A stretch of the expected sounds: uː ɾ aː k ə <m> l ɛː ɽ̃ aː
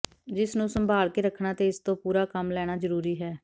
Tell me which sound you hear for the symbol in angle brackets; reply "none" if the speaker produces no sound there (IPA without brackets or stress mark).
m